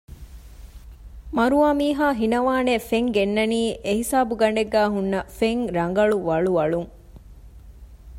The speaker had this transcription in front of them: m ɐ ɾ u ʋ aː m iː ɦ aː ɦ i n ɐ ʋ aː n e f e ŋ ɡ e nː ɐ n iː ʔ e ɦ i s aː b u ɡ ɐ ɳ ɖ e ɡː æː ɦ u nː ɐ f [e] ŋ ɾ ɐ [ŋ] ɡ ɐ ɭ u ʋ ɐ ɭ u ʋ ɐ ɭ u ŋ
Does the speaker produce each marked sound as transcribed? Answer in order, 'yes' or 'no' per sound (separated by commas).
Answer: yes, yes